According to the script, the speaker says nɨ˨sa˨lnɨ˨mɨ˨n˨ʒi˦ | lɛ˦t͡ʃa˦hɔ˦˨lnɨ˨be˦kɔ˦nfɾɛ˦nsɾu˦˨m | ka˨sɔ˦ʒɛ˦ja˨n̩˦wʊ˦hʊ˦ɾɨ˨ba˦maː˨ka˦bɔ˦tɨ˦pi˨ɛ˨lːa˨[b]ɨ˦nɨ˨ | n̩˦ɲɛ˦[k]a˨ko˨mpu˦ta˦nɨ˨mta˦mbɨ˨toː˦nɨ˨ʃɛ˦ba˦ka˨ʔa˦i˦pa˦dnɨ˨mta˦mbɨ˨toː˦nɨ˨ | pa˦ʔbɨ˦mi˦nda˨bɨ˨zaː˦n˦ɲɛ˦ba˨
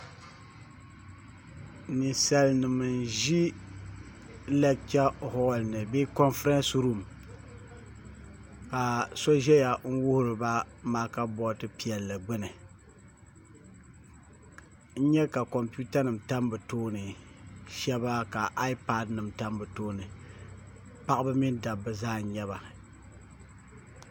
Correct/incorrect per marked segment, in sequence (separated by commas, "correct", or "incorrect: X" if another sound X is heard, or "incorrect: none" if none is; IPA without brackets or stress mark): incorrect: ɡ͡b, correct